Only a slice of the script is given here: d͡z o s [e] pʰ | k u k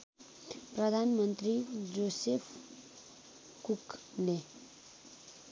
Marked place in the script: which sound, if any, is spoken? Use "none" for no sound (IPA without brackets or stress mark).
e